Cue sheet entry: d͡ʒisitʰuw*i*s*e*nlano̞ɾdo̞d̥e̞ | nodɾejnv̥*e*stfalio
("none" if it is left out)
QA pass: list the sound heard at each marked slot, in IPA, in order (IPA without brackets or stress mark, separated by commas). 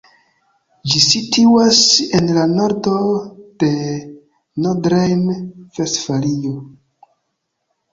a, e, e